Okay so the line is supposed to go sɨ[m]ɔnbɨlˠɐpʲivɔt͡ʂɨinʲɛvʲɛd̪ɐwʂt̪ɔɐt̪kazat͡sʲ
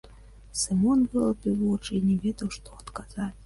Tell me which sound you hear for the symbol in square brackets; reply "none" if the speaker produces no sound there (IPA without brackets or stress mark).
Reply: m